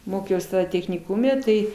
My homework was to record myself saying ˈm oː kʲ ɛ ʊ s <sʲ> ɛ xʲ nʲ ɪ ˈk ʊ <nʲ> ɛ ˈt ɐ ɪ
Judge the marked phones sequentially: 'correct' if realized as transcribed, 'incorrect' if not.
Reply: incorrect, incorrect

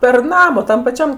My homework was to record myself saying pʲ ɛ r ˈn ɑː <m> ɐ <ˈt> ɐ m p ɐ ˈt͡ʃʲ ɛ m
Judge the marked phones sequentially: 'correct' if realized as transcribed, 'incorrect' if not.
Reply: correct, correct

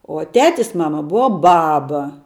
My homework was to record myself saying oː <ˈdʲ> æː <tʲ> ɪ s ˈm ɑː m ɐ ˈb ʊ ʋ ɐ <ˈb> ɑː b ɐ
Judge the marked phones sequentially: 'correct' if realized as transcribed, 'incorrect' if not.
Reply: incorrect, correct, correct

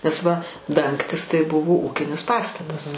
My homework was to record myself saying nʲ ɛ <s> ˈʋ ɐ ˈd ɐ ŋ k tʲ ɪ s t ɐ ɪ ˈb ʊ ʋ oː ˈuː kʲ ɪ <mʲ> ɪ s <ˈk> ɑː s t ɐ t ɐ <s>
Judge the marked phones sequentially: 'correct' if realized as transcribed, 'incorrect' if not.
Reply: correct, incorrect, incorrect, correct

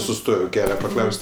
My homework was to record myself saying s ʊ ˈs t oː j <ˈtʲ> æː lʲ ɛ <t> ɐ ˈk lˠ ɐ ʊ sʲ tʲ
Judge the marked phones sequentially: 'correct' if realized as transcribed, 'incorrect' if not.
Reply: incorrect, incorrect

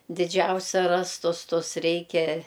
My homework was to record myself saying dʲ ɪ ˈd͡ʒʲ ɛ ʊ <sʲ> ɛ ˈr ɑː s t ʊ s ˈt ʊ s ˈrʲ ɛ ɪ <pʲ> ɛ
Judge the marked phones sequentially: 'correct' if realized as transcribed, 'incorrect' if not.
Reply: correct, incorrect

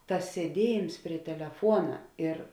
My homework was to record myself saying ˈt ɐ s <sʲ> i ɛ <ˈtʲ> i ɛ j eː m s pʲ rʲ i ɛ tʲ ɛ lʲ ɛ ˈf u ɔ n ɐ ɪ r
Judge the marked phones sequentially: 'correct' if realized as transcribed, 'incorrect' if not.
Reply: correct, incorrect

